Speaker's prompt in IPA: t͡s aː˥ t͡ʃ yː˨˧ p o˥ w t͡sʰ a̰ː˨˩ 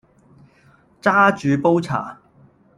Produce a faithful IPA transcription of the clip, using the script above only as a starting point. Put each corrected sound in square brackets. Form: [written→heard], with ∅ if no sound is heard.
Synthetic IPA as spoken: t͡s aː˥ t͡ʃ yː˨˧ p o˥ w t͡sʰ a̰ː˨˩